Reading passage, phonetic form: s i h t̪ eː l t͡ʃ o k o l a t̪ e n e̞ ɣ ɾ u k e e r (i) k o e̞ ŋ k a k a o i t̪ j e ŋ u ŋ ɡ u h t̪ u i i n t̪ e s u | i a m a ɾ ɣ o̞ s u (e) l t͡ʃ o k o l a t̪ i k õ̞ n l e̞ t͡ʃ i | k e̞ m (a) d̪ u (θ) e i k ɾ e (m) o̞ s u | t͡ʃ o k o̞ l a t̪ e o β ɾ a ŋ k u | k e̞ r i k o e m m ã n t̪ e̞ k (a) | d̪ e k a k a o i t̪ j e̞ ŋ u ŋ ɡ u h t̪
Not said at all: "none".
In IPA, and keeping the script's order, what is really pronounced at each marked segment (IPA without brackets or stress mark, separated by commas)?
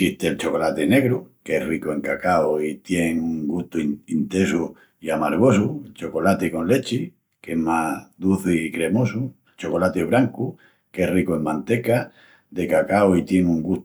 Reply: i, e, a, θ, m, a